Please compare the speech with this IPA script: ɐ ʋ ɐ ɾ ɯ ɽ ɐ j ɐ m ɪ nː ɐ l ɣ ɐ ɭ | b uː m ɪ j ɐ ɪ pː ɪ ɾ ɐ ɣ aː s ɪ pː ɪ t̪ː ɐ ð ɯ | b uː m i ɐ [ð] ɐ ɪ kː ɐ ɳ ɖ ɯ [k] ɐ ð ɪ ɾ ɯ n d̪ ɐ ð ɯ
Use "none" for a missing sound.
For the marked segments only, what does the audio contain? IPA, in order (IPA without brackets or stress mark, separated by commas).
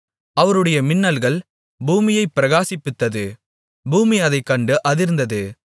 ð, ʔ